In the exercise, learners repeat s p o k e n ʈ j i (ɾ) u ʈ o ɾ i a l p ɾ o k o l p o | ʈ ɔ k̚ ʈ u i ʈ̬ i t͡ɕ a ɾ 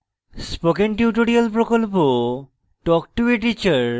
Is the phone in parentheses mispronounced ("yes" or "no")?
yes